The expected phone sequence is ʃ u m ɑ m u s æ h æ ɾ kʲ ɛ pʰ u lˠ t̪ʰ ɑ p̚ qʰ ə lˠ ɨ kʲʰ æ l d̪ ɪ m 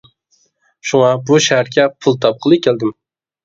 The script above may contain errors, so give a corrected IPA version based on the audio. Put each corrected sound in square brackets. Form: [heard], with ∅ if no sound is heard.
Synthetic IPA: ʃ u [ŋ] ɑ [b] u [ʃ] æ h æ ɾ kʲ ɛ pʰ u lˠ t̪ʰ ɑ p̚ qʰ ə lˠ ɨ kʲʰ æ l d̪ ɪ m